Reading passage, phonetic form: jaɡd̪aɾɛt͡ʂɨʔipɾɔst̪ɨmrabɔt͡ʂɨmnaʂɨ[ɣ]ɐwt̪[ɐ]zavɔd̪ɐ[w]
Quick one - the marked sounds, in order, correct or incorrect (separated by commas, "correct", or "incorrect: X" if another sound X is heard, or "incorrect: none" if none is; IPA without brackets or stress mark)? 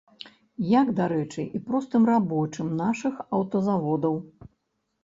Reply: incorrect: x, correct, correct